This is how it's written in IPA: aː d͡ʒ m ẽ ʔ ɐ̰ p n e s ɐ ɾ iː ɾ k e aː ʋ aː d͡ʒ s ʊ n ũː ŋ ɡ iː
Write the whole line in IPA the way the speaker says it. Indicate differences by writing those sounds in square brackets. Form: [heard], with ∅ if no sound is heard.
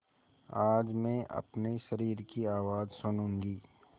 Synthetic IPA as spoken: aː d͡ʒ m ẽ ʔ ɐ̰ p n e [ʃ] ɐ ɾ iː ɾ k [i] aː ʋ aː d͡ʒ s ʊ n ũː ŋ ɡ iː